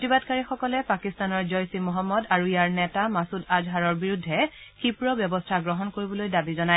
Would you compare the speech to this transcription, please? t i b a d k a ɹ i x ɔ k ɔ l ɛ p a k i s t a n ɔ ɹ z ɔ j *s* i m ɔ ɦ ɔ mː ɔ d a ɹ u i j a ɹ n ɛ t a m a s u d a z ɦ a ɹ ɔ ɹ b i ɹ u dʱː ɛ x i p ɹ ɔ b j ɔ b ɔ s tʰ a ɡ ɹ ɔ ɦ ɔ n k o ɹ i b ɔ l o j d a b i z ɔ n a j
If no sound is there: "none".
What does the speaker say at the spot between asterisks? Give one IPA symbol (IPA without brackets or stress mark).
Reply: s